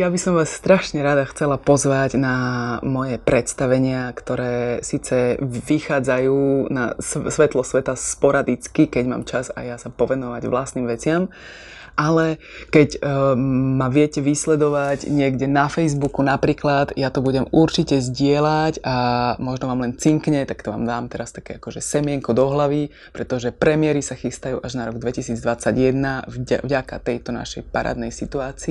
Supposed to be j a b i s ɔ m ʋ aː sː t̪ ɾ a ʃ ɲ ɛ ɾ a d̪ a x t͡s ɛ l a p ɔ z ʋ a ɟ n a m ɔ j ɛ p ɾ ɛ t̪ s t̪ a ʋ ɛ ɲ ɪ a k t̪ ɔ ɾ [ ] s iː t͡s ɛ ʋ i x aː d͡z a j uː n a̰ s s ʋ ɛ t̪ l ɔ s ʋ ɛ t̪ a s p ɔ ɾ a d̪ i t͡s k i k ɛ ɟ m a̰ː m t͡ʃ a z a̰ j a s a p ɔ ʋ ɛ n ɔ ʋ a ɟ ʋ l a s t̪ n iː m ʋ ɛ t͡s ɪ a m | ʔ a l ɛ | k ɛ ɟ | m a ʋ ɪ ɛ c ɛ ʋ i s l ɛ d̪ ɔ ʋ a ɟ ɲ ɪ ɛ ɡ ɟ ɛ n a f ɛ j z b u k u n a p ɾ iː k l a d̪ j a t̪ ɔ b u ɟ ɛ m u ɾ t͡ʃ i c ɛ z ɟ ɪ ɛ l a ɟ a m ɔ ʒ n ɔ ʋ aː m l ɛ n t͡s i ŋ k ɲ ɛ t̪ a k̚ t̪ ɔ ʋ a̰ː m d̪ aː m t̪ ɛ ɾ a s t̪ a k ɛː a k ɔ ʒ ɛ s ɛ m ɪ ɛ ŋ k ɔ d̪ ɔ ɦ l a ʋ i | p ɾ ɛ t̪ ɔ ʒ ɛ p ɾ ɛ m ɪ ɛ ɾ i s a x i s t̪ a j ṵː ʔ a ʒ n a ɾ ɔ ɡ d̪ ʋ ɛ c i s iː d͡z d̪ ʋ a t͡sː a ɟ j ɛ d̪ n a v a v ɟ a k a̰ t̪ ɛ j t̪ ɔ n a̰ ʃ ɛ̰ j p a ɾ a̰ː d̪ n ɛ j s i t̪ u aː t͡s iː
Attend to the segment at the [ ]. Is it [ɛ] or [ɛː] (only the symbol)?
ɛː